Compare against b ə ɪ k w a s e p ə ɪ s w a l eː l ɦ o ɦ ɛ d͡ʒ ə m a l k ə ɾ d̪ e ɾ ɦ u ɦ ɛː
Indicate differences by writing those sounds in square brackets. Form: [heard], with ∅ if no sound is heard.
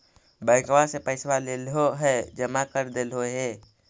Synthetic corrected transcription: b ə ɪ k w a s e p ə ɪ s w a l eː l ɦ o ɦ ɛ d͡ʒ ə m a [∅] k ə ɾ d̪ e [l] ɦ [o] ɦ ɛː

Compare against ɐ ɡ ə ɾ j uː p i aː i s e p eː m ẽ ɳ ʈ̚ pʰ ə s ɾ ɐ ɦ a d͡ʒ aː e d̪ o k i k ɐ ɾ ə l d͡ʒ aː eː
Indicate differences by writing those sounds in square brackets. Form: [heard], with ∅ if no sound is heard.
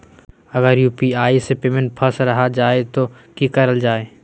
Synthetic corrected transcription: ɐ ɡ ə ɾ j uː p i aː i s e p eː m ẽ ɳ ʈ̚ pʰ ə s ɾ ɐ ɦ a d͡ʒ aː e [t̪] o k i k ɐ ɾ ə l d͡ʒ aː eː

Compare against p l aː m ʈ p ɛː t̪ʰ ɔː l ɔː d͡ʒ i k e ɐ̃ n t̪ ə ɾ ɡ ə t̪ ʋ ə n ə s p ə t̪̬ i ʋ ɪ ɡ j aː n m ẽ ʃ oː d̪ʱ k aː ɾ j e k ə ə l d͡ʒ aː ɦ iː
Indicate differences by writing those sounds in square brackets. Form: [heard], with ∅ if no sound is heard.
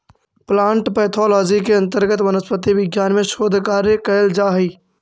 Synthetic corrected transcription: p l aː [ɳ] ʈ p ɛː t̪ʰ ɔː l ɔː d͡ʒ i k e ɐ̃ n t̪ ə ɾ ɡ ə t̪ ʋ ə n ə s p ə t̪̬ i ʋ ɪ ɡ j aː n m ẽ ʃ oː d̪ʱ k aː ɾ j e k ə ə l d͡ʒ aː ɦ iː

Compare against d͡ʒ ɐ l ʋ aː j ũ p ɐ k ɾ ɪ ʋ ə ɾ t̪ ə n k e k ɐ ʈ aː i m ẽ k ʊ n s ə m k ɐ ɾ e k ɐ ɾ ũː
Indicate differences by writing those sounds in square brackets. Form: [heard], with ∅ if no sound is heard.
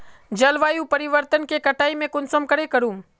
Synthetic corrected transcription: d͡ʒ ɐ l ʋ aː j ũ p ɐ [∅] ɾ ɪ ʋ ə ɾ t̪ ə n k e k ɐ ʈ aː i m ẽ k ʊ n s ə m k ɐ ɾ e k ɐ ɾ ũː

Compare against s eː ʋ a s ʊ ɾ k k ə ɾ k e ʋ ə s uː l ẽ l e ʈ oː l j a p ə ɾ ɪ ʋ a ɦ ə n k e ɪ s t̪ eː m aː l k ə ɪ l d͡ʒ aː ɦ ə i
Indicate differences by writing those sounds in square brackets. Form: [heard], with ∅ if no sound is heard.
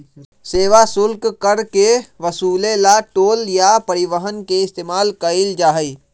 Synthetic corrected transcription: s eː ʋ a s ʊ [l] k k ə ɾ k e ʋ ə s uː l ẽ l [a] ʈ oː l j a p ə ɾ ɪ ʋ [ə] ɦ ə n k e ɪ s t̪ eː m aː l k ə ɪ l d͡ʒ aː ɦ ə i

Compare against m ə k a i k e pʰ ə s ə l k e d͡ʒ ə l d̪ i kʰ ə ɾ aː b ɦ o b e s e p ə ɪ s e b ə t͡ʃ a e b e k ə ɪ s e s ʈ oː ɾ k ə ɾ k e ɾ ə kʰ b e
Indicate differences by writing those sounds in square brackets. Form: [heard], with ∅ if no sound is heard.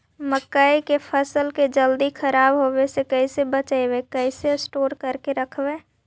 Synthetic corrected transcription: m ə k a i k e pʰ ə s ə l k e d͡ʒ ə l d̪ i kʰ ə ɾ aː b ɦ o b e s e [k] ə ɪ s e b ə t͡ʃ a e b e k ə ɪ s e s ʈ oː ɾ k ə ɾ k e ɾ ə kʰ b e

